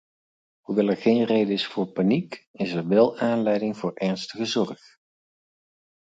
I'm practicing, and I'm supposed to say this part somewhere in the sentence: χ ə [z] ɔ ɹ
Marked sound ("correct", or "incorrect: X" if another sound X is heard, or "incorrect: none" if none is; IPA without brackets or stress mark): correct